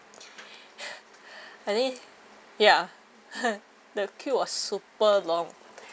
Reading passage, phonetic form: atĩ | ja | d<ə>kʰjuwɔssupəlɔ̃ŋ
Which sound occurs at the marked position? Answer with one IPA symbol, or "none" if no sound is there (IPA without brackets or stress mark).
ə